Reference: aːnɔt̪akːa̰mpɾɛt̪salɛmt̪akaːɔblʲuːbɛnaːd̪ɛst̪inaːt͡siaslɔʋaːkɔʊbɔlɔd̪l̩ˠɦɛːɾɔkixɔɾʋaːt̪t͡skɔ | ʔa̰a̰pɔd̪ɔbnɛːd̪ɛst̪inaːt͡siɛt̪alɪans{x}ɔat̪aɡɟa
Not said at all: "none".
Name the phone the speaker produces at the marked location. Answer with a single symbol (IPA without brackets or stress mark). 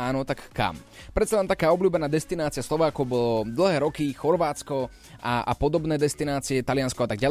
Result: k